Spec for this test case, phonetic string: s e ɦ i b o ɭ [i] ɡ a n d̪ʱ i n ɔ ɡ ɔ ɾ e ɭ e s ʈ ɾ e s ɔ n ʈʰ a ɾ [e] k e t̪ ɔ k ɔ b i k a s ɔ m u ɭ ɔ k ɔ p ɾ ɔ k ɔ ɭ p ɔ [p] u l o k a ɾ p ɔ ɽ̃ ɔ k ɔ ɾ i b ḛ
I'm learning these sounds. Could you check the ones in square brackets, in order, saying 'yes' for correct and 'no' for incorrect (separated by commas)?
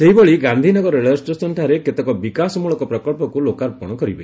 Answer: yes, yes, no